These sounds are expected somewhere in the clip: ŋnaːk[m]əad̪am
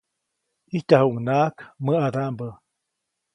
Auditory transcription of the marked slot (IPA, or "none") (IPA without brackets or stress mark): m